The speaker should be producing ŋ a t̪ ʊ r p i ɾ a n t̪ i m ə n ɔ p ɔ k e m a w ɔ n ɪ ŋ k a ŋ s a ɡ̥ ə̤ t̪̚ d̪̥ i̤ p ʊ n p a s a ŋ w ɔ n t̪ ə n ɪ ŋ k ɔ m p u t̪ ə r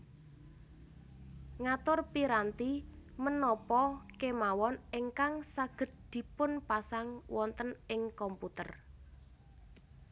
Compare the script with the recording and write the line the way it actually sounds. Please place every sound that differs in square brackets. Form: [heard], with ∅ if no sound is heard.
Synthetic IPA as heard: ŋ a t̪ ʊ r p i ɾ a n t̪ i m ə n ɔ p ɔ k e m a w ɔ n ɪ ŋ k a ŋ s a ɡ̥ ə̤ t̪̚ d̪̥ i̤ p ʊ n p a s a ŋ w ɔ n t̪ ə n ɪ ŋ k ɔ m p u t̪ ə r